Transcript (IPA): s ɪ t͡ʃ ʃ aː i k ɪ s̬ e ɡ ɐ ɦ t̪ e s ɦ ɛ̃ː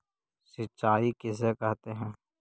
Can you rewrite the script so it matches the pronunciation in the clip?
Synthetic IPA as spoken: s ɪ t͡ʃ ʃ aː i k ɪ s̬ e k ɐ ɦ t̪ e ɦ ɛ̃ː